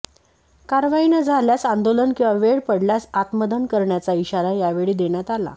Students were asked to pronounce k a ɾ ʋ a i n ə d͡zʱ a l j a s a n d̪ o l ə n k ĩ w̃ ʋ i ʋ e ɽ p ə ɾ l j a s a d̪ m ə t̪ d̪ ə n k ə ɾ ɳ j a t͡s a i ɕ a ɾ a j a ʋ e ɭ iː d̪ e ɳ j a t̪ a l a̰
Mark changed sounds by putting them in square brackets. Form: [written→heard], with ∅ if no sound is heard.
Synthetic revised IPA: k a ɾ ʋ a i n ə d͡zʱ a l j a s a n d̪ o l ə n k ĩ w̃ ʋ [i→a] ʋ e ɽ p ə [ɾ→ɽ] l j a s a [d̪→t̪] m ə [t̪→∅] d̪ ə n k ə ɾ ɳ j a t͡s a i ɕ a ɾ a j a ʋ e ɭ iː d̪ e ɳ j a t̪ a l a̰